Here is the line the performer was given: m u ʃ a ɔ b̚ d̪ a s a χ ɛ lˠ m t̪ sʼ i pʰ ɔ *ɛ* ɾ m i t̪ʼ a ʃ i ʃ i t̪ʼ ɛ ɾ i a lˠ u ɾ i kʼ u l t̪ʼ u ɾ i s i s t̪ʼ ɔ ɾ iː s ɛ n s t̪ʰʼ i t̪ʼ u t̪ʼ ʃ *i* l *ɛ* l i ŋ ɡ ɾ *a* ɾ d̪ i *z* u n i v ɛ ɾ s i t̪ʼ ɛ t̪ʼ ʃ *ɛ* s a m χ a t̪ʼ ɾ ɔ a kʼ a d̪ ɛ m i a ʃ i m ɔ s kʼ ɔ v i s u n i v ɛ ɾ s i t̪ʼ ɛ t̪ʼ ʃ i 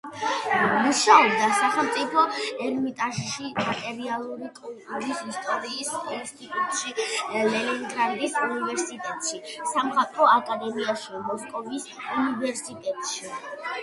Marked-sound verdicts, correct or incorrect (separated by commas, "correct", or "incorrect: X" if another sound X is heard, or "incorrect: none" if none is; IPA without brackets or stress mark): correct, correct, correct, correct, incorrect: s, incorrect: i